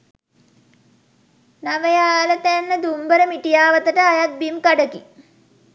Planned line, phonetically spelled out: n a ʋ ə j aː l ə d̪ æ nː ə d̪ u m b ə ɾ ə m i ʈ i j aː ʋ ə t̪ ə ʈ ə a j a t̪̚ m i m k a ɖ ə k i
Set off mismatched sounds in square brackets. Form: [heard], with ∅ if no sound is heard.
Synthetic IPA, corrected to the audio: n a ʋ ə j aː l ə [t̪] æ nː ə d̪ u m b ə ɾ ə m i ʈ i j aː ʋ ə t̪ ə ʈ ə a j a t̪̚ [b] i m k a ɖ ə k i